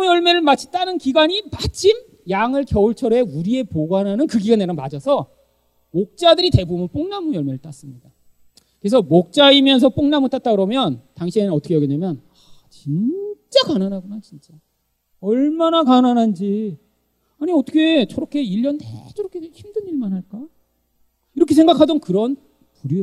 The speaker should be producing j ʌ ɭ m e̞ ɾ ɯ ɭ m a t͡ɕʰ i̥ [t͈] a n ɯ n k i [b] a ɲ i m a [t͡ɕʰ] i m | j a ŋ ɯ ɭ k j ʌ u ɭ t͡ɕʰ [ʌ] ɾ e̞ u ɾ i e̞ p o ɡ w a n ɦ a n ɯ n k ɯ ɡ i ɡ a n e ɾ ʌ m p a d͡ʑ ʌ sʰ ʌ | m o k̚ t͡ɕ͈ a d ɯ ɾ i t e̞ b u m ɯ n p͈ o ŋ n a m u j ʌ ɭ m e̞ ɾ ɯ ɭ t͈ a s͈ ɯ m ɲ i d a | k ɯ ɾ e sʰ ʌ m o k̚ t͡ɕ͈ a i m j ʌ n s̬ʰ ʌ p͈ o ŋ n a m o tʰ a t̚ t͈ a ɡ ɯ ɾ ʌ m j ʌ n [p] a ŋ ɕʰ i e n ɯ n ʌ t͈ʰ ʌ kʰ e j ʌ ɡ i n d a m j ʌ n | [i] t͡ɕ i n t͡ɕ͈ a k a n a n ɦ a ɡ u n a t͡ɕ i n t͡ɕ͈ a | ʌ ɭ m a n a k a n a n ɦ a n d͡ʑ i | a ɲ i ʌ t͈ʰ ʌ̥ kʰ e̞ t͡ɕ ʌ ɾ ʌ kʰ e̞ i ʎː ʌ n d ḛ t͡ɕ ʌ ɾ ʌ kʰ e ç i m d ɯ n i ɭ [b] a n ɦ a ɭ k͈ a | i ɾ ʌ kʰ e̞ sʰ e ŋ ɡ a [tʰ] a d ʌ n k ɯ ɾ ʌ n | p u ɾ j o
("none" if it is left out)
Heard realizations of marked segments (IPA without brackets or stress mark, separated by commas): t͈, ɡ, t͡ɕʰ, ʌ, t, a, m, kʰ